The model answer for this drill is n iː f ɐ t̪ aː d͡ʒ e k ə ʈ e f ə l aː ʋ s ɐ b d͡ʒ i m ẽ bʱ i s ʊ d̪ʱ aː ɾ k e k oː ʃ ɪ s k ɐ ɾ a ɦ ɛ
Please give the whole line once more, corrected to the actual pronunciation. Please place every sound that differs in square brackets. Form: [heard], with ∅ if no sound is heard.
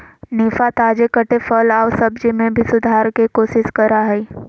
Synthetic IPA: n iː f [a] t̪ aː d͡ʒ e k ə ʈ e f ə l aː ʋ s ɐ b d͡ʒ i m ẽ bʱ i s ʊ d̪ʱ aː ɾ k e k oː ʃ ɪ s k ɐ ɾ a ɦ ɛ

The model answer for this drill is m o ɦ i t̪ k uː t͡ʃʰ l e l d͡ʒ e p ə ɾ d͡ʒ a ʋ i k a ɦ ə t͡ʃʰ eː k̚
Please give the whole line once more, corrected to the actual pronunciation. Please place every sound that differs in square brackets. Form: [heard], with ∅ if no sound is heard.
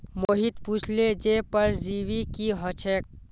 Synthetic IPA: m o ɦ i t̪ [p] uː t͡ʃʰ l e [∅] d͡ʒ e p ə ɾ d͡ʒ [i] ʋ i k [i] ɦ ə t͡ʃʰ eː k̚

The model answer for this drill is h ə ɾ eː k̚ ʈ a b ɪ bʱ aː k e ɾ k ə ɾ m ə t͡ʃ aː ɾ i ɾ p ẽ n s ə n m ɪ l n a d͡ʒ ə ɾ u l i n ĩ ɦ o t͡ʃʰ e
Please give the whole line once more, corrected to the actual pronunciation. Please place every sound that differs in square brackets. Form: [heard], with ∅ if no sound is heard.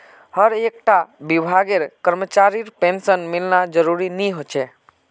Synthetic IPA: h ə ɾ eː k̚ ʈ a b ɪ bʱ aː [ɡ] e ɾ k ə ɾ m ə t͡ʃ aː ɾ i ɾ p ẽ n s ə n m ɪ l n a d͡ʒ ə ɾ u [ɾ] i n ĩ ɦ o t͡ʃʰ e

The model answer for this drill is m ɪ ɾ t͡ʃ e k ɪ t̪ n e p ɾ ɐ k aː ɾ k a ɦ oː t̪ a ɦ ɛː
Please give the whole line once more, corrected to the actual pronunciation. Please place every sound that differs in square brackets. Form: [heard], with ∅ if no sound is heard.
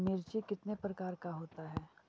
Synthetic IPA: m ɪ ɾ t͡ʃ [i] k ɪ t̪ n e p ɾ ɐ k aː ɾ k a ɦ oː t̪ a ɦ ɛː

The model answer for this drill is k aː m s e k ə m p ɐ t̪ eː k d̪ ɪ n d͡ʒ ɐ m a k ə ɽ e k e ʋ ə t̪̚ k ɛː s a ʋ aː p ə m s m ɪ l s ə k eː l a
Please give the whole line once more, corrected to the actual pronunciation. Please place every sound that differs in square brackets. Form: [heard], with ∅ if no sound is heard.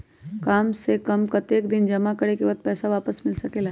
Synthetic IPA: k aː m s e k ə m [k] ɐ t̪ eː k d̪ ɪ n d͡ʒ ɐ m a k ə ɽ e k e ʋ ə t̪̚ [p] ɛː s a ʋ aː p ə [∅] s m ɪ l s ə k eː l a

